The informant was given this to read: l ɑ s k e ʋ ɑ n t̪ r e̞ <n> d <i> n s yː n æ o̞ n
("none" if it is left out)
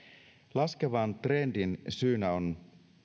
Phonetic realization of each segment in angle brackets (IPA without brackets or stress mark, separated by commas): n, i